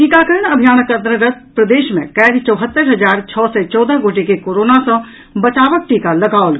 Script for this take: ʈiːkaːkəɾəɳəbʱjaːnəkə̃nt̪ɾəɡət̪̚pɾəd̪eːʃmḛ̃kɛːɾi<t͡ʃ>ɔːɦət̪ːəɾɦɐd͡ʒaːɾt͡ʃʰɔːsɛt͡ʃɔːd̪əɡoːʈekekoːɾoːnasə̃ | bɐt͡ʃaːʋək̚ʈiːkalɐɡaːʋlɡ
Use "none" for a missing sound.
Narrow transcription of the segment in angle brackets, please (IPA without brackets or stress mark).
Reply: t͡ʃ